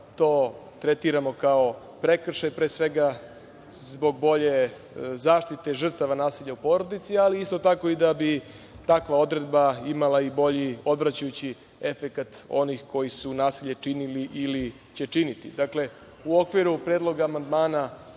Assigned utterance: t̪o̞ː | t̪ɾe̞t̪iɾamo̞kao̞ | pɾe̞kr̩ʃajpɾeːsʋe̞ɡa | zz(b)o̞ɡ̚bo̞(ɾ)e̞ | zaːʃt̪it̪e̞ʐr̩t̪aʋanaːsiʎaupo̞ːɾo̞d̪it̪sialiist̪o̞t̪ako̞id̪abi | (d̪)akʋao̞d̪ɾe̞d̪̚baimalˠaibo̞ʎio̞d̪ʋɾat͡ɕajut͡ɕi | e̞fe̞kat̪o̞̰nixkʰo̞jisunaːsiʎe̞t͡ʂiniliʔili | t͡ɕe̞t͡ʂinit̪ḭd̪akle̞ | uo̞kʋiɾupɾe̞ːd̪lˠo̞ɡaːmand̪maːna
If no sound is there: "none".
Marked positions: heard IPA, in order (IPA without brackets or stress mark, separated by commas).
b, ʎ, t̪